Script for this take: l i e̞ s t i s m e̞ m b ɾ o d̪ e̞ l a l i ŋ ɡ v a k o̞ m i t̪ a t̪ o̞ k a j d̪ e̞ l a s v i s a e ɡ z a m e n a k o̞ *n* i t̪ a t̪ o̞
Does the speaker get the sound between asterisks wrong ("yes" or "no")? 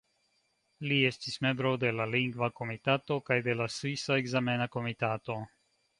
yes